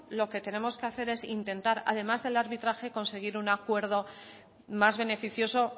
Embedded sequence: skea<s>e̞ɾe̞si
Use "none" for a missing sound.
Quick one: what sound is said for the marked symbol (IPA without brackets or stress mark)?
θ